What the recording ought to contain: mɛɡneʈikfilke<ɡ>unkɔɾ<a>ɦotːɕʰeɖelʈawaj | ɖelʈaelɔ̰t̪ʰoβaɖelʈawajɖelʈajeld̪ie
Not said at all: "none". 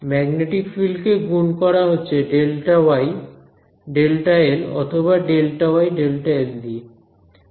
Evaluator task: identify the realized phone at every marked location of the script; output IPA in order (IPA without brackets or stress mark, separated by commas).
ɡ, a